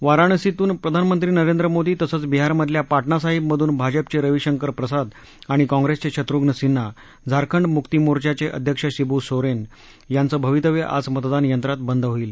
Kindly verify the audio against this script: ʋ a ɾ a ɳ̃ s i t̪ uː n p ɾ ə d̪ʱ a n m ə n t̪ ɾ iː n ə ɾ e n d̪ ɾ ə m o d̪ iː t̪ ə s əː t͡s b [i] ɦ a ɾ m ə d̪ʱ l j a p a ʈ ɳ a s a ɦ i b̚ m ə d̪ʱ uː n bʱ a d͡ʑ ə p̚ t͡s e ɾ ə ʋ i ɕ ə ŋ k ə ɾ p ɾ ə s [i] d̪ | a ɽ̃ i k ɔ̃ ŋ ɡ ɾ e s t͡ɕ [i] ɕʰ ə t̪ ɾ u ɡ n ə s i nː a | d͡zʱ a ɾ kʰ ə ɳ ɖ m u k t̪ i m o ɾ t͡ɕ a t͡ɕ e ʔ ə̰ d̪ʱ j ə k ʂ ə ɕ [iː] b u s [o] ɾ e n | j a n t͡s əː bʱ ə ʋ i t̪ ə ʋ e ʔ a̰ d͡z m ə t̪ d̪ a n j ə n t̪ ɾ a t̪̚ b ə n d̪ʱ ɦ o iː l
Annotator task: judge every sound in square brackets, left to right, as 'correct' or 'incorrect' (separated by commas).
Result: correct, incorrect, incorrect, incorrect, correct